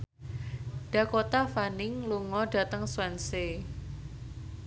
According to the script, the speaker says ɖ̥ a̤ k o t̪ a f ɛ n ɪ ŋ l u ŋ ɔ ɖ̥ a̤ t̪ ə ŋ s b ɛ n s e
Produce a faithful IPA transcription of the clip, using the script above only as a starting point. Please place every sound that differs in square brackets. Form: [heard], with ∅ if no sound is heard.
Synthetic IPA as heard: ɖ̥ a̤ k o t̪ a f [a] n ɪ ŋ l u ŋ ɔ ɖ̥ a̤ t̪ ə ŋ s [w] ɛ n s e